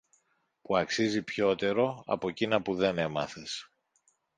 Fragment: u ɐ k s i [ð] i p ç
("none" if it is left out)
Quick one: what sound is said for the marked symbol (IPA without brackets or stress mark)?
z